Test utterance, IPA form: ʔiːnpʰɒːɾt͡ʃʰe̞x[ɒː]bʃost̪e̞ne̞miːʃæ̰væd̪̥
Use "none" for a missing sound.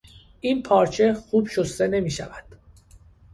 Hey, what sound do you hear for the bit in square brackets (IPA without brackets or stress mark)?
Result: uː